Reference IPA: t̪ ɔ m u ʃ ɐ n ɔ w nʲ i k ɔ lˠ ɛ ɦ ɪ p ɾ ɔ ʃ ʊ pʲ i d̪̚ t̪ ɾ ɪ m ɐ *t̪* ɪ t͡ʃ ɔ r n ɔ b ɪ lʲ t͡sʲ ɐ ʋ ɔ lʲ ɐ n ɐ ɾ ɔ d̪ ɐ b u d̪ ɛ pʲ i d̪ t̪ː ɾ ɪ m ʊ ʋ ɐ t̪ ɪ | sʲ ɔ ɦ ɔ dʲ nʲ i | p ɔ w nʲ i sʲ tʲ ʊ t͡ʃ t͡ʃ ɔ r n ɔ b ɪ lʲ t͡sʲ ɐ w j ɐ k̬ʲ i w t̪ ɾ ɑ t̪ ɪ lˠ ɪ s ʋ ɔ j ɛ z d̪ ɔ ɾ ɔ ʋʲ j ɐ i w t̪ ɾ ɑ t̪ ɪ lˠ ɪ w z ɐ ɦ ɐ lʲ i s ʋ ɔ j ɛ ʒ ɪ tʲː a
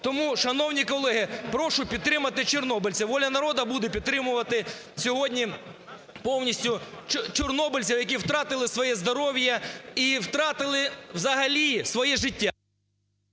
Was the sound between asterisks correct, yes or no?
yes